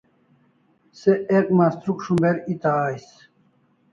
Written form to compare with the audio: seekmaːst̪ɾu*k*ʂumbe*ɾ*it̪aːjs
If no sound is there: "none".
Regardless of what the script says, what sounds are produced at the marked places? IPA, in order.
k, ɾ

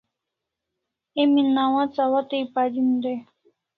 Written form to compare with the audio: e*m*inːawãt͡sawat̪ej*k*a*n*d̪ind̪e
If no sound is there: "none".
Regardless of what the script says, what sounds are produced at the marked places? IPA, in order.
m, p, none

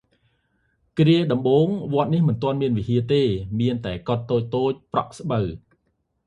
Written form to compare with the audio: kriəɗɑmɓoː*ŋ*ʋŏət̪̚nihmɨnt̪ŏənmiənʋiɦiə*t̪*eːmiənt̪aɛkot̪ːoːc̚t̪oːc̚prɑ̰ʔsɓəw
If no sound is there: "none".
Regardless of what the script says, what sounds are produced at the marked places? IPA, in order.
ŋ, t̪

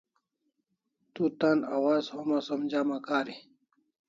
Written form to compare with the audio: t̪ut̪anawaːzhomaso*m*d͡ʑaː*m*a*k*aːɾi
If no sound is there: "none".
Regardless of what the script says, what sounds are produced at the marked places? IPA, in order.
m, m, k

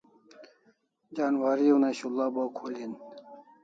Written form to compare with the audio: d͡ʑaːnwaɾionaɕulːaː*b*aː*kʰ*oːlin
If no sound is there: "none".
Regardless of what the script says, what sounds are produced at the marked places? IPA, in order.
b, kʰ

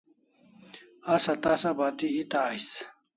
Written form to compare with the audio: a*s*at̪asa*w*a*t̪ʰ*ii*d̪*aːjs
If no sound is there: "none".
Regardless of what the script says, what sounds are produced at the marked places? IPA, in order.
s, b, t̪, t̪

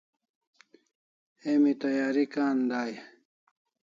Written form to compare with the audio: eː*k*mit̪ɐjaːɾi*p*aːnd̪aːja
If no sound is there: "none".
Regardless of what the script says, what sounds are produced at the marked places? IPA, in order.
none, k

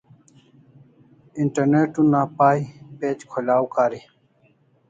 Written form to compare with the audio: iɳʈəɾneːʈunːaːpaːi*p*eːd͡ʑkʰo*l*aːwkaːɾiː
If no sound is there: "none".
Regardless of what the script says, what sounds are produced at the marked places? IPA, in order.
p, l

